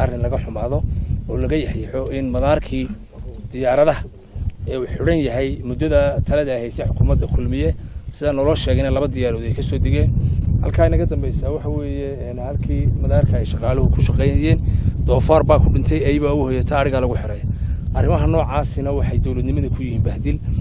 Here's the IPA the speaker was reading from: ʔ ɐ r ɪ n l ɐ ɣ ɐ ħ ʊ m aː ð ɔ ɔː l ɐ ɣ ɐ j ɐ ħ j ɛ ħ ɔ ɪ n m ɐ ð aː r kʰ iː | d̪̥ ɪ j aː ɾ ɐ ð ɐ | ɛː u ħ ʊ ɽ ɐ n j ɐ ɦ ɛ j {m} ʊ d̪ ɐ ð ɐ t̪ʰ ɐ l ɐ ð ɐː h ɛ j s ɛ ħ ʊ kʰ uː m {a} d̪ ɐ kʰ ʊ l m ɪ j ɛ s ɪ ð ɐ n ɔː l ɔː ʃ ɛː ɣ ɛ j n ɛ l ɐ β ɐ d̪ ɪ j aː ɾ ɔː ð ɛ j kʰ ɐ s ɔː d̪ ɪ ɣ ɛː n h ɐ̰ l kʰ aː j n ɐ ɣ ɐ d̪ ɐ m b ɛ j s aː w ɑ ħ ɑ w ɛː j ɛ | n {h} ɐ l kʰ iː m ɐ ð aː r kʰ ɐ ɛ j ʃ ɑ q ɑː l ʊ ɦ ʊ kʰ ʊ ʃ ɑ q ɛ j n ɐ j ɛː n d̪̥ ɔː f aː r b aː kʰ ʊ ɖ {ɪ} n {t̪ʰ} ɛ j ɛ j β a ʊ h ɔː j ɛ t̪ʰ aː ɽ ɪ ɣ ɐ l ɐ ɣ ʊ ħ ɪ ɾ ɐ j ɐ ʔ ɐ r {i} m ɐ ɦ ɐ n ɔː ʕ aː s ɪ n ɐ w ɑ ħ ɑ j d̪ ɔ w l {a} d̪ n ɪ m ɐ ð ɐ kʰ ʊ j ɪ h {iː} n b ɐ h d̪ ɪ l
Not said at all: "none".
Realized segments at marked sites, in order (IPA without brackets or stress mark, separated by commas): m, ɐ, h, ɪ, t̪ʰ, ɪ, ɐ, iː